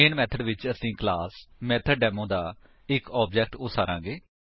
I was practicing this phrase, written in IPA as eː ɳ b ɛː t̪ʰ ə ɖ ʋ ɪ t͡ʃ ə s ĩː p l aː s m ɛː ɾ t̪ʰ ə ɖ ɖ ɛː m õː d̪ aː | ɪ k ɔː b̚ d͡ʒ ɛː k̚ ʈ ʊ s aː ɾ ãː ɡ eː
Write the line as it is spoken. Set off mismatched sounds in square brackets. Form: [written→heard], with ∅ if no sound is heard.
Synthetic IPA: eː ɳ [b→m] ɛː t̪ʰ ə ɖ ʋ ɪ t͡ʃ ə s ĩː [p→k] l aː s m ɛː [ɾ→∅] t̪ʰ ə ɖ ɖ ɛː m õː d̪ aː | ɪ k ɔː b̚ d͡ʒ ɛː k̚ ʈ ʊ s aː ɾ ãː ɡ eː